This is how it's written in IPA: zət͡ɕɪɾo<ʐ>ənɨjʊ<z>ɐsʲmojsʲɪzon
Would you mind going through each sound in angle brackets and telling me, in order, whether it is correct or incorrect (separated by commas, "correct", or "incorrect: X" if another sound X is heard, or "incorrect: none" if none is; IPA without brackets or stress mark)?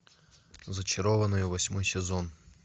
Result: incorrect: v, incorrect: v